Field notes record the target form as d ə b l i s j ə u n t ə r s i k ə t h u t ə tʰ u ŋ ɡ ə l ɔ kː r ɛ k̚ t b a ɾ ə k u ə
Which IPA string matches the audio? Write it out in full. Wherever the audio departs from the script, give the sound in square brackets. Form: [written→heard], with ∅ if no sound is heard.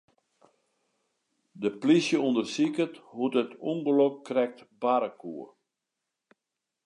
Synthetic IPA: d ə [b→p] l i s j ə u n [t→d] ə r s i k ə t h u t ə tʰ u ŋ ɡ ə l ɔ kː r ɛ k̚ t b a ɾ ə k u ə